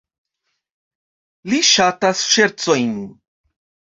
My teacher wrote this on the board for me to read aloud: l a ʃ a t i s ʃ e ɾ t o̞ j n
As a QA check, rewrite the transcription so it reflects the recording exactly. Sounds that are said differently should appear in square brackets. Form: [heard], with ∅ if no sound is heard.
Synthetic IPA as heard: l [i] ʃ a t [a] s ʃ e ɾ [t͡s] o̞ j n